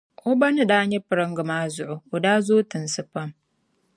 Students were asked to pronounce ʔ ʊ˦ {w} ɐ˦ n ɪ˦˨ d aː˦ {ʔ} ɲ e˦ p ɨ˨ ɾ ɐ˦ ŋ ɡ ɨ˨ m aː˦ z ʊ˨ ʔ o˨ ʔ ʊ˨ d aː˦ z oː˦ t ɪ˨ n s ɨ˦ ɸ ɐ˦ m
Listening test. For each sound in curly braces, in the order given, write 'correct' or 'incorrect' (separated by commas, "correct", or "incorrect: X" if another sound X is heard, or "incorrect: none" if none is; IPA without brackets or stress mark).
incorrect: b, incorrect: none